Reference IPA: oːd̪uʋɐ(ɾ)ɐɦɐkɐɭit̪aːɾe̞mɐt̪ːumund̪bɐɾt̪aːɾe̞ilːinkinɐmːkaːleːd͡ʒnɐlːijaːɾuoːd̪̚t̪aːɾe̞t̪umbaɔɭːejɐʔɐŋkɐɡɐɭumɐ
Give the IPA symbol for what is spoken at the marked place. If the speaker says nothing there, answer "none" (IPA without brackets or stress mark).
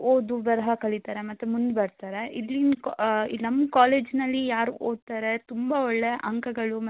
ɾ